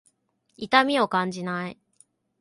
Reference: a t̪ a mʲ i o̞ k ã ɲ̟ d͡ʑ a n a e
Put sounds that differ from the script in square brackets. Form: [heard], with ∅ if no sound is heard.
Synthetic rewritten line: [i] t̪ a mʲ i o̞ k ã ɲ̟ d͡ʑ [i] n a [i]